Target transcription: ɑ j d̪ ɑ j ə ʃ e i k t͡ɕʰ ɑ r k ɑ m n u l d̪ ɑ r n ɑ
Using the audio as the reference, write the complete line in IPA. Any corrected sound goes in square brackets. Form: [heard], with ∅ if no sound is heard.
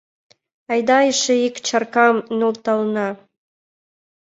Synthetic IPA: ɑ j d̪ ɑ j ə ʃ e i k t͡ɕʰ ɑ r k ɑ m n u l [t̪] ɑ [l] n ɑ